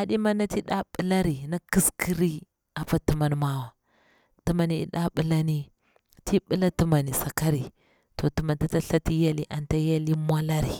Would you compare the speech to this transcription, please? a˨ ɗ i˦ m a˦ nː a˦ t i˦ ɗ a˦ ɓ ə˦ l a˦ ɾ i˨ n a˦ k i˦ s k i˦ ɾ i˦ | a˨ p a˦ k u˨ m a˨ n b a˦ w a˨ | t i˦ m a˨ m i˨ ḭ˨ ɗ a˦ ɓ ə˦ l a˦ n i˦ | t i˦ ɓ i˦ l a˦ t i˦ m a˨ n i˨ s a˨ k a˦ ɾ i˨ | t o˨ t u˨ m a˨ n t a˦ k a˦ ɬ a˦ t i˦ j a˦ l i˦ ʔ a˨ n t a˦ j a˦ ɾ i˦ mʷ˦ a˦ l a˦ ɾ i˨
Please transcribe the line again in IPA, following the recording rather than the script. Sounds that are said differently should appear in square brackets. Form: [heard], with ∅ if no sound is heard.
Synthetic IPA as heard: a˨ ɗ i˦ m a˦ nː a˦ t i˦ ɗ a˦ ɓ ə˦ l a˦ ɾ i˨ n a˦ k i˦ s k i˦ ɾ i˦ | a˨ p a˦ [t] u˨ m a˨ n [m] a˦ w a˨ | t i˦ m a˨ [n] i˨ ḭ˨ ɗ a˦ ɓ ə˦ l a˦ n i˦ | t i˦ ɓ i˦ l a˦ t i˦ m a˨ n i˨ s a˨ k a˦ ɾ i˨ | t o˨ t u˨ m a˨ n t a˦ [t] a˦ ɬ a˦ t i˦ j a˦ l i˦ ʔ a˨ n t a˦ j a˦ [l] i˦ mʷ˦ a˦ l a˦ ɾ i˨